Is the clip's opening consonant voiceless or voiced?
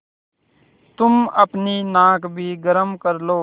voiceless